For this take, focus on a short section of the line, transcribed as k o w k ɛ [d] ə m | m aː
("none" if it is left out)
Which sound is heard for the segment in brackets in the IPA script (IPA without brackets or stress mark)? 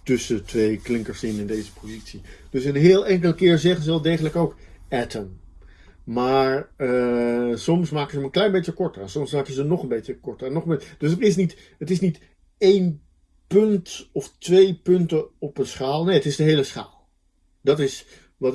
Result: t